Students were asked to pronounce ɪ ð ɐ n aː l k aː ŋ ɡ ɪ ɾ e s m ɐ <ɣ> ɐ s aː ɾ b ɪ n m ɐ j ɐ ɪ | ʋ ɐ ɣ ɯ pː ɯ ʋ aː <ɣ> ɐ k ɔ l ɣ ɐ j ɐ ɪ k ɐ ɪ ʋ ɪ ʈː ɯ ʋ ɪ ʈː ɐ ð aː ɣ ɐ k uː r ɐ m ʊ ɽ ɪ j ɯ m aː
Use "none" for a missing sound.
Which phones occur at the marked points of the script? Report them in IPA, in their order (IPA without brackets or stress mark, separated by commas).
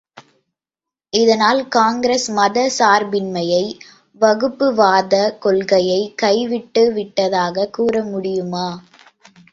ð, ð